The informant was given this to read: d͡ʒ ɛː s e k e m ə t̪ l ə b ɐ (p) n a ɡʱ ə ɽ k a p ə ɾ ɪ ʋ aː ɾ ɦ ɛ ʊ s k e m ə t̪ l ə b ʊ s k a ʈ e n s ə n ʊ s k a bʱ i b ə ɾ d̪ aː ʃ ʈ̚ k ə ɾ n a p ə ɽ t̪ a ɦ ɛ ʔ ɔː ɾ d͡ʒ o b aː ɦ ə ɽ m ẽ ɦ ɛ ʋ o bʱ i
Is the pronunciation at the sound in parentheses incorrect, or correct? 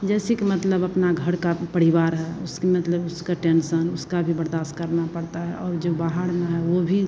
correct